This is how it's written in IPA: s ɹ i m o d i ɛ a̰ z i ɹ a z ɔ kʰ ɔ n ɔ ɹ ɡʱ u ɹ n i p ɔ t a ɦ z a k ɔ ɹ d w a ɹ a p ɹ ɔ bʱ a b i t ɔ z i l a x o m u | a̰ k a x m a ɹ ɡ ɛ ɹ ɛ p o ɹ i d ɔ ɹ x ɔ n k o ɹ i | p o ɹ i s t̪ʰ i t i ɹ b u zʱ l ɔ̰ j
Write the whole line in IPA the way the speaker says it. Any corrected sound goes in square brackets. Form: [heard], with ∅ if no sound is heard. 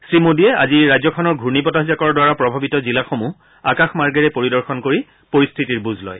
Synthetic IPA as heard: s ɹ i m o d i ɛ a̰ z i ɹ a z ɔ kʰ ɔ n ɔ ɹ ɡʱ u ɹ n i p ɔ t a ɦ z a k ɔ ɹ d w a ɹ a p ɹ ɔ bʱ a b i t ɔ z i l a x o m u | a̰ k a x m a ɹ ɡ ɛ ɹ ɛ p o ɹ i d ɔ ɹ x ɔ n k o ɹ i | p o ɹ i s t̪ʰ i t i ɹ b u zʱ l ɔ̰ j